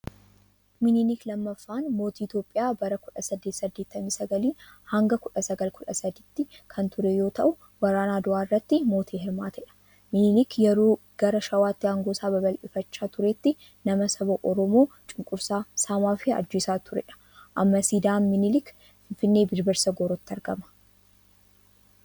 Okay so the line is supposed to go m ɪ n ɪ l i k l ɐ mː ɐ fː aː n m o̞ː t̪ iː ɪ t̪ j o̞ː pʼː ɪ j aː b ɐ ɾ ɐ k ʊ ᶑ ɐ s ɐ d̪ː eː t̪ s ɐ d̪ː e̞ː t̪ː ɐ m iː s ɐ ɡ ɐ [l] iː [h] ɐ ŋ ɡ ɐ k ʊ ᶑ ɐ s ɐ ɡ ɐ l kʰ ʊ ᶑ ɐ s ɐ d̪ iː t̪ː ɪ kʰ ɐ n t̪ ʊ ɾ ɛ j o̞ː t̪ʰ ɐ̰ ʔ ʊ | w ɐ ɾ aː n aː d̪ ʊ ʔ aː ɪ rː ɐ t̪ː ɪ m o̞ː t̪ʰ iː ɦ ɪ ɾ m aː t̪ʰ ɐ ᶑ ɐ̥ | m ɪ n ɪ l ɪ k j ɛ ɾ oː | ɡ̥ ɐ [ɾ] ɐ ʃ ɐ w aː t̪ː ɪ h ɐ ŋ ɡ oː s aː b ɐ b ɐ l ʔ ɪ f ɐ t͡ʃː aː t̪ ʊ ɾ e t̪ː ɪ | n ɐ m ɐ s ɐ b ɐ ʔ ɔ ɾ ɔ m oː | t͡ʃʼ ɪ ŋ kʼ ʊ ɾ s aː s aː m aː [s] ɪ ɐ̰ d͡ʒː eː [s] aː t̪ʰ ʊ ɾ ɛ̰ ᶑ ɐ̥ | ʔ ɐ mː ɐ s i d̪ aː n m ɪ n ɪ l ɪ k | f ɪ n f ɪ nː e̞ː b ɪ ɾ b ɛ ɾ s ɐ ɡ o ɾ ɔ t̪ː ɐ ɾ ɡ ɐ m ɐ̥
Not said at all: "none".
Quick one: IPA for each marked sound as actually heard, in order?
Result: l, h, ɾ, f, s

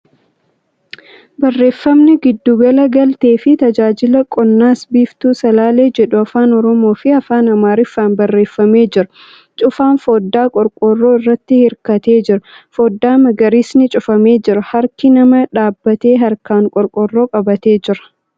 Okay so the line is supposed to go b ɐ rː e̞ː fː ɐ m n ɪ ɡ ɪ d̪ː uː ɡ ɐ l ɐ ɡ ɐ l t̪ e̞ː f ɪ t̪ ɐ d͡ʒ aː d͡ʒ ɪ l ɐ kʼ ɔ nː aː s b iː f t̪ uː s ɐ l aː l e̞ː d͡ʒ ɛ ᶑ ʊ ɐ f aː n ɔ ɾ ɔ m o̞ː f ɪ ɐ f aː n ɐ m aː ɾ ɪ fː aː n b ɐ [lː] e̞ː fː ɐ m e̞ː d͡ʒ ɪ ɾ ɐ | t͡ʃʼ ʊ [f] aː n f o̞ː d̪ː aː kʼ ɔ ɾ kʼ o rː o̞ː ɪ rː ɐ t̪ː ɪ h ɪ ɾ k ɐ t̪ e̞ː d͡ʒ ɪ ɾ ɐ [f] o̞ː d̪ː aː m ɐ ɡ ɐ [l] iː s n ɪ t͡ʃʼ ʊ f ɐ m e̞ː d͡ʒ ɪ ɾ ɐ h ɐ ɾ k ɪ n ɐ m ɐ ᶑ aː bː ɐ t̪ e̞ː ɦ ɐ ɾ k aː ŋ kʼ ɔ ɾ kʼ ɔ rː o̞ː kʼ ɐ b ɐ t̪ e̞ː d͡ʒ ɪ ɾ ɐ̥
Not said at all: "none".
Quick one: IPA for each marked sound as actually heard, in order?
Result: rː, f, f, ɾ

